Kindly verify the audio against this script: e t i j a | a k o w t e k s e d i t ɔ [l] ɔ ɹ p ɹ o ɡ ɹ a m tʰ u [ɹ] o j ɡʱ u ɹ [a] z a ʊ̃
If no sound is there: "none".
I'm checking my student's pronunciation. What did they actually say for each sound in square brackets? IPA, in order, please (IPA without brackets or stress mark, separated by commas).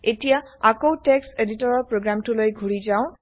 ɹ, l, i